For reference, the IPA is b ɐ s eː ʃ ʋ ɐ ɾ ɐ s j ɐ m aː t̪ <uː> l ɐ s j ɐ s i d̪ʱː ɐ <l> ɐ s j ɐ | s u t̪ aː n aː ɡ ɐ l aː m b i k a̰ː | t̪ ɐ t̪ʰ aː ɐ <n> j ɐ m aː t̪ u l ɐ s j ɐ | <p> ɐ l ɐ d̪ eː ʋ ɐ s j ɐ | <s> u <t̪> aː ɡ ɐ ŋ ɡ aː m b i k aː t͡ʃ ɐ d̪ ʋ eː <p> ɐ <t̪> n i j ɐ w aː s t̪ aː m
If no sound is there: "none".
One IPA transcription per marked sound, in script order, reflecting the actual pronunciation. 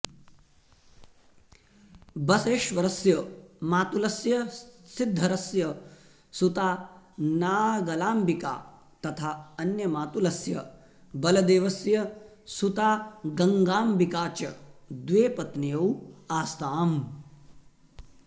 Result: u, ɾ, n, b, s, t̪, p, t̪

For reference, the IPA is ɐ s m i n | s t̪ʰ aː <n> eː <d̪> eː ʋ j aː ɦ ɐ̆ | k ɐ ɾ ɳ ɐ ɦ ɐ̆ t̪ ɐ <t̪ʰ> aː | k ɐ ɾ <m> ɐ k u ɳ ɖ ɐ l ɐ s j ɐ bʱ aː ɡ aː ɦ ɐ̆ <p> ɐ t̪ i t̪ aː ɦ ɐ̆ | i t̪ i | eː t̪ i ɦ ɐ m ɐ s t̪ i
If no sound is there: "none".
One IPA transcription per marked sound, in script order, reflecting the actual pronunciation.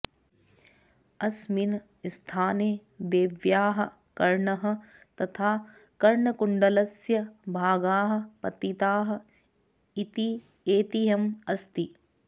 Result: n, d̪, t̪ʰ, ɳ, p

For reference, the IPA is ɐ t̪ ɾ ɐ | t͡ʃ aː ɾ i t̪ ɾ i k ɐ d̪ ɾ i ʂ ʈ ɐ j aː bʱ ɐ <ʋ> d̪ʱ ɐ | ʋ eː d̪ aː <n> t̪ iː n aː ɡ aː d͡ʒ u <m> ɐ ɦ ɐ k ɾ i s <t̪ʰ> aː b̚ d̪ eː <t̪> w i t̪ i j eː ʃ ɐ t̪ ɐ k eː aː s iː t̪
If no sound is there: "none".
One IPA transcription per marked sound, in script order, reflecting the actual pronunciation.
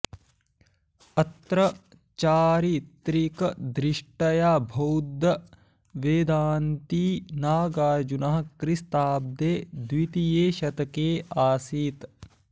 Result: w, n, n, t̪, d̪

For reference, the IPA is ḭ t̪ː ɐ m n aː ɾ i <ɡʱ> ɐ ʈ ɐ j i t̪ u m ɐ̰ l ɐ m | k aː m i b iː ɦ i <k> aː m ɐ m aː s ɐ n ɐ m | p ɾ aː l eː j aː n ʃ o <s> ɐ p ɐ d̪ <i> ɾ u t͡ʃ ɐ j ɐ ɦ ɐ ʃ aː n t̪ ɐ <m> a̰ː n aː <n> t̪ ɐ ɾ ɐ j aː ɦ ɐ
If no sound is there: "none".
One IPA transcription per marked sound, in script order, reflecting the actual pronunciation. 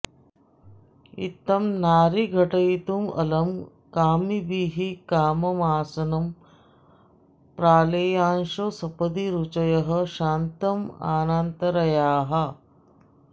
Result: ɡʱ, k, s, i, m, n

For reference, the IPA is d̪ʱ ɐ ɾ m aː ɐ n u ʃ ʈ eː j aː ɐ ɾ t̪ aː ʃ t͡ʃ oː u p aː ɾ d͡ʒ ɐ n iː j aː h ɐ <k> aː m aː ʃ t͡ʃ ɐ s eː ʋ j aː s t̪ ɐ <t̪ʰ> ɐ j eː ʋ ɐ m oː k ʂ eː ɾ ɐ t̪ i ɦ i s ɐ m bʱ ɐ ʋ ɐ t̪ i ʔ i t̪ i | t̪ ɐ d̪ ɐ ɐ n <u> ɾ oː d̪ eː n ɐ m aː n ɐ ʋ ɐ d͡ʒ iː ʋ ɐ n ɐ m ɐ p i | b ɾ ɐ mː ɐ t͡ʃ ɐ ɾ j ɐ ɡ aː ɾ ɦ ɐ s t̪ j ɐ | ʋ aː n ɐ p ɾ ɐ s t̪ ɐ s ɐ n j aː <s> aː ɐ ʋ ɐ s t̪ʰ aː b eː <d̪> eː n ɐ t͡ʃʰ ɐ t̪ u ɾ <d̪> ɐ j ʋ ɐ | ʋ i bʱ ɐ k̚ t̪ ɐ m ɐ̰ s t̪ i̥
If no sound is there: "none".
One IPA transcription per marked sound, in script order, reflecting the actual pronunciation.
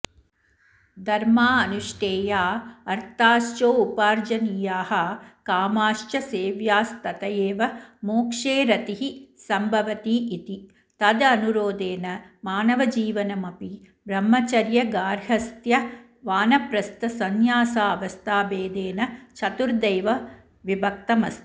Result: k, t̪, u, s, d̪, d̪

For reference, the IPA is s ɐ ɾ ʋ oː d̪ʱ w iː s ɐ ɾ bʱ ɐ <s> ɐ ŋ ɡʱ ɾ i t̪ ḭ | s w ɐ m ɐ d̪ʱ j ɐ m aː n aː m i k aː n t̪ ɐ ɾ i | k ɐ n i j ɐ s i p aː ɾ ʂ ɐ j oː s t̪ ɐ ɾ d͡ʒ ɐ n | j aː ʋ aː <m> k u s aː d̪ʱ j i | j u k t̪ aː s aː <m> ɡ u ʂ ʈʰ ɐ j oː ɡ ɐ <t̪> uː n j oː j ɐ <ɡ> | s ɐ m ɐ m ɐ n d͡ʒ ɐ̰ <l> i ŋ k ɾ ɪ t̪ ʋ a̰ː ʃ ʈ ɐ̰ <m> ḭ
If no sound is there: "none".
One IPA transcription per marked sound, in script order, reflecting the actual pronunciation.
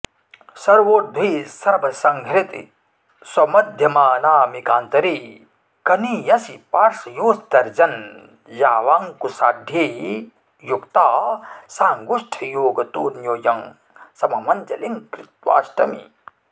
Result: s, ŋ, ŋ, t̪, ŋ, l, m

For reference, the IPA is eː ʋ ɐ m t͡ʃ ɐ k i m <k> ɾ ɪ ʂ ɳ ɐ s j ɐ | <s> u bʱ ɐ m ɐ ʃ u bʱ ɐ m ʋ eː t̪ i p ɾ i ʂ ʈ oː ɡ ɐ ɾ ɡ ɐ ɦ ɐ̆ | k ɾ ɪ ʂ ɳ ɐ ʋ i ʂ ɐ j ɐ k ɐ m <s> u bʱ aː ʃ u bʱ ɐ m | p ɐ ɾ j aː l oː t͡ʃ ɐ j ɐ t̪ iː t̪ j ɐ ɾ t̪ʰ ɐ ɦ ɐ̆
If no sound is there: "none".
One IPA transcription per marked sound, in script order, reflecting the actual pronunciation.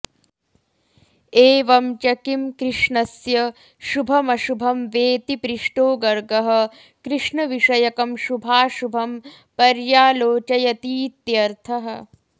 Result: k, ʃ, ʃ

